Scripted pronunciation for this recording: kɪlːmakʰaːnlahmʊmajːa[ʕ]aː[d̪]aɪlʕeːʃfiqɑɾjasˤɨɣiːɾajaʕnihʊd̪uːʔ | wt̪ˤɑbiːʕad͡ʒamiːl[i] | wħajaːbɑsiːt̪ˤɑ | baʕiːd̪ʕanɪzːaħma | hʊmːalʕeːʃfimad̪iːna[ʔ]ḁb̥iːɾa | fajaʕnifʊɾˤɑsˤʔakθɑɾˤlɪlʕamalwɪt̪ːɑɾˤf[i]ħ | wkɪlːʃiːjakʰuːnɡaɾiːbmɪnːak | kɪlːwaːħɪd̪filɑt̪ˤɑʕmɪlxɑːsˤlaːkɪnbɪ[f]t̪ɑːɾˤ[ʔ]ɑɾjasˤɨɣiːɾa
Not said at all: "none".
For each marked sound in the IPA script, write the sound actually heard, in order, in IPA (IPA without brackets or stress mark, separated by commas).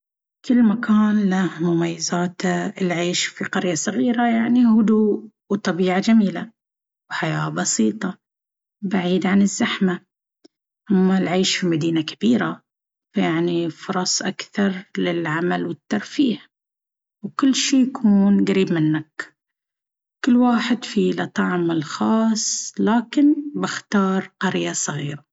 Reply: z, t̪, a, k, iː, x, q